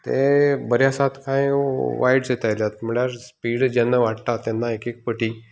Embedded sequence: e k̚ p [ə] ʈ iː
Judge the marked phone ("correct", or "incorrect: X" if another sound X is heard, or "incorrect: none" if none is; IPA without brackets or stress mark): correct